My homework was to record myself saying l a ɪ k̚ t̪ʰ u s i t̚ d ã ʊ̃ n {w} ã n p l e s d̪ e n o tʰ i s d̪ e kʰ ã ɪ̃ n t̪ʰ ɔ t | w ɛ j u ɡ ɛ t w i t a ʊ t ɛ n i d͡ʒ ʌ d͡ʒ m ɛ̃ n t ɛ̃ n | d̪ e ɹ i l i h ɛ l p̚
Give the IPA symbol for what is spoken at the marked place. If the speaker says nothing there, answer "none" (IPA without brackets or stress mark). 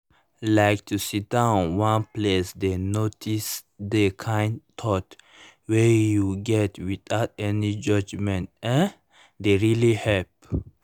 w